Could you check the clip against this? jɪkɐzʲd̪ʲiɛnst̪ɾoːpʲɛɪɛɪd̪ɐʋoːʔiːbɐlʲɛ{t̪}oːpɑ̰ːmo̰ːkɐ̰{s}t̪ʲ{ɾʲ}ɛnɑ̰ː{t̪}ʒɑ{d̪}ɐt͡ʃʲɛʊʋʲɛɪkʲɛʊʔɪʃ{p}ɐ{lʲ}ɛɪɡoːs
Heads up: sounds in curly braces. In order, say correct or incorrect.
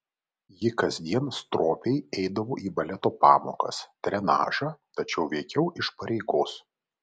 correct, correct, correct, incorrect: none, incorrect: t̪, correct, incorrect: ɾʲ

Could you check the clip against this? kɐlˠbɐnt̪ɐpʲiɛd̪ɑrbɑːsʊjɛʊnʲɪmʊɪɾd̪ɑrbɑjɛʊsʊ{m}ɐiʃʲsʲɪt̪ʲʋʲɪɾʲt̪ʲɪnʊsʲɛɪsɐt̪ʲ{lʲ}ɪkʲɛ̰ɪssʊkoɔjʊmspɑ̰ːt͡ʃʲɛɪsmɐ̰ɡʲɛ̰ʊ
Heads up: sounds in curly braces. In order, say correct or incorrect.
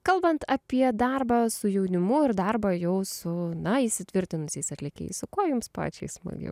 incorrect: n, correct

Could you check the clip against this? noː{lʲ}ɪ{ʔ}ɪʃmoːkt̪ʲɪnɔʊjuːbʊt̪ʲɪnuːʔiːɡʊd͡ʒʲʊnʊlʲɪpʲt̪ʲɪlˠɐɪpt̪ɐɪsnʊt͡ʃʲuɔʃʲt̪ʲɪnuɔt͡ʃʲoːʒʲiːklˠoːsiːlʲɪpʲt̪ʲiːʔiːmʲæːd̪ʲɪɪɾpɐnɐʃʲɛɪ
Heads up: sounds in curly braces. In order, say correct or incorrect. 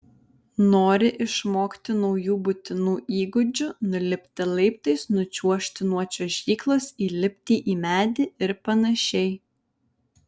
incorrect: ɾʲ, correct

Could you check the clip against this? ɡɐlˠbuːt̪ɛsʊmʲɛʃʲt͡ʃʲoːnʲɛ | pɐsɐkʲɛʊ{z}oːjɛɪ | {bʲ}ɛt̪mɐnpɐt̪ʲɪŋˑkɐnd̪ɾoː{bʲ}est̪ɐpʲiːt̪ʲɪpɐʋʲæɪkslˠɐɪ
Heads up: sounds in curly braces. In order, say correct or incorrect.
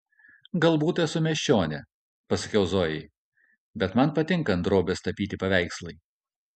correct, correct, correct

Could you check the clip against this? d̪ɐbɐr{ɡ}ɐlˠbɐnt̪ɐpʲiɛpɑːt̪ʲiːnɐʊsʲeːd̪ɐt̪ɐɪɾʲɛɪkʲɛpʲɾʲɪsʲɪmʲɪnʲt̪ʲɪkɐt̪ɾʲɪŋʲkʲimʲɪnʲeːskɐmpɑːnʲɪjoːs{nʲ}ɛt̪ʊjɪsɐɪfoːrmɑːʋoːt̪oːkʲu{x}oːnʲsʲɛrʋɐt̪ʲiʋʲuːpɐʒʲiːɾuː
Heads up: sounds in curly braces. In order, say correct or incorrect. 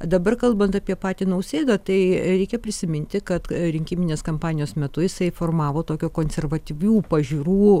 incorrect: k, incorrect: mʲ, incorrect: k

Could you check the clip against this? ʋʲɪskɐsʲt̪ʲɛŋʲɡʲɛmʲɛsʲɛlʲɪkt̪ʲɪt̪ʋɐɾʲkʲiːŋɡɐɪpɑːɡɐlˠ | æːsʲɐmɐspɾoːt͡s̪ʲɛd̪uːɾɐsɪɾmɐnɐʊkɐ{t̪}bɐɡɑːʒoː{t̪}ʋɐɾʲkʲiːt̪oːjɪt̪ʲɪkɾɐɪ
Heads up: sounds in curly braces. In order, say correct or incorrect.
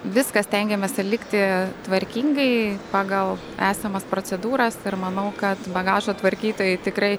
correct, correct

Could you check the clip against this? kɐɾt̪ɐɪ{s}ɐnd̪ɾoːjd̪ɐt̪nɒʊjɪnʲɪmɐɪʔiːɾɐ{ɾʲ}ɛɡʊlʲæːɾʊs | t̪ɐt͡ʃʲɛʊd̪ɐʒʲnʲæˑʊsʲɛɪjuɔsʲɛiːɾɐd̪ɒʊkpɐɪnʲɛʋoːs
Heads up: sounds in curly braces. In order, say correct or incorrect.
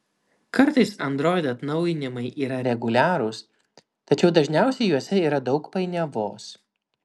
correct, correct

